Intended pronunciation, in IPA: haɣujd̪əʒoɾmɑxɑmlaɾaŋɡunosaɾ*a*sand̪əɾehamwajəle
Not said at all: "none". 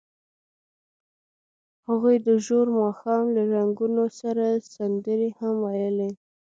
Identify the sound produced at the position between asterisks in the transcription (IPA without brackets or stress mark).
a